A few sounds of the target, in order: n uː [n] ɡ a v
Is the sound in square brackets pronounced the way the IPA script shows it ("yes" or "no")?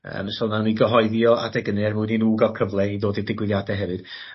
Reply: no